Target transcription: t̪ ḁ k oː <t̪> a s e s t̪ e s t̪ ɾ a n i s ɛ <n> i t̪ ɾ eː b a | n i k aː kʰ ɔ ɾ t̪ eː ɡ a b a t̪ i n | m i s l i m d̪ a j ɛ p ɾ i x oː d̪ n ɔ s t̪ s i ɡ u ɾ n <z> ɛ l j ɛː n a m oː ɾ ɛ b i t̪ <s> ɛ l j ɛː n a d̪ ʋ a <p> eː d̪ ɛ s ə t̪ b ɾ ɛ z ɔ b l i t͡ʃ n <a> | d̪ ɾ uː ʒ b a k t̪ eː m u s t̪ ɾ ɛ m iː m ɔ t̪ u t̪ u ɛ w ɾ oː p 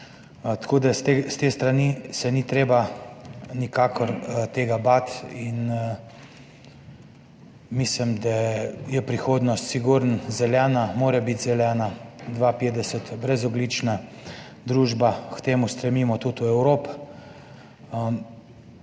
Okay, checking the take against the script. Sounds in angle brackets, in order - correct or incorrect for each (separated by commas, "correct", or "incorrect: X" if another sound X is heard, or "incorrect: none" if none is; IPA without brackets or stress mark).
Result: incorrect: d̪, correct, correct, incorrect: z, correct, correct